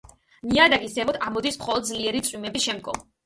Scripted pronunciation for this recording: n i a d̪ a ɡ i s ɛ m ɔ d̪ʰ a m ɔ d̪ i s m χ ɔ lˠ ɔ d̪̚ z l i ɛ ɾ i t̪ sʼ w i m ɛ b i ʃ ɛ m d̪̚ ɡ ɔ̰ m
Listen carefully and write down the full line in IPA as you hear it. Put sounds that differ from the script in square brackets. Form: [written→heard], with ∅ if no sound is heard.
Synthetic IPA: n i a d̪ a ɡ i s ɛ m ɔ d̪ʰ a m ɔ d̪ i s m χ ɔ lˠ ɔ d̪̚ z l i ɛ ɾ i t̪ sʼ w i m ɛ b i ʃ ɛ m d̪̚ ɡ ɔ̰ m